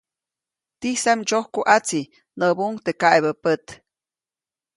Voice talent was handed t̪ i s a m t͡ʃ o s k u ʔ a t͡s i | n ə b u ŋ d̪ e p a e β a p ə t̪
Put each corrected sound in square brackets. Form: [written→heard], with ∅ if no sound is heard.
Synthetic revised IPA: t̪ i s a m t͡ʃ o [s→h] k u ʔ a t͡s i | n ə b u ŋ [d̪→t̪] e [p→k] a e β [a→ə] p ə t̪